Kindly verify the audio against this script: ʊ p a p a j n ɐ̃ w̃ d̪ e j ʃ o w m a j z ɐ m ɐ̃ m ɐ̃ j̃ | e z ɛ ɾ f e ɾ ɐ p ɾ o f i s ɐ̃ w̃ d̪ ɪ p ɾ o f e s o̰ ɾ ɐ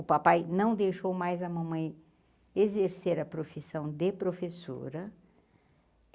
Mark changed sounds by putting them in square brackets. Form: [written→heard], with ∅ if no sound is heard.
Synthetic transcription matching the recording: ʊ p a p a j n ɐ̃ w̃ d̪ e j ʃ o w m a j z ɐ m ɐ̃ m ɐ̃ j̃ | e z [ɛ→e] ɾ [f→s] e ɾ ɐ p ɾ o f i s ɐ̃ w̃ d̪ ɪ p ɾ o f e s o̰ ɾ ɐ